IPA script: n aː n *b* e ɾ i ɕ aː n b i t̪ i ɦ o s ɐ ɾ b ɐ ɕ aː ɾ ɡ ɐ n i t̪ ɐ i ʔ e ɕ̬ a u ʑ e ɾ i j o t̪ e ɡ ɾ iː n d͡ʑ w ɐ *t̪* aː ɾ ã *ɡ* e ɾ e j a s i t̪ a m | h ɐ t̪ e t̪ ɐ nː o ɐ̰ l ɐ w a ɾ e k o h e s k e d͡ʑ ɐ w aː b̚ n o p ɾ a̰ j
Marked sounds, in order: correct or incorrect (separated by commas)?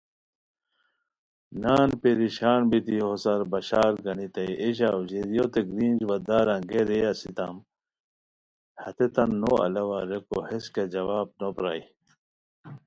incorrect, incorrect, correct